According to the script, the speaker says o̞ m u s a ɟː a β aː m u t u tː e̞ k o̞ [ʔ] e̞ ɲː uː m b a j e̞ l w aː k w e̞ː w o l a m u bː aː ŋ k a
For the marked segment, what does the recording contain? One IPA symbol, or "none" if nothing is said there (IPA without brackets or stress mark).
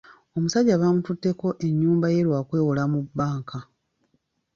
ʔ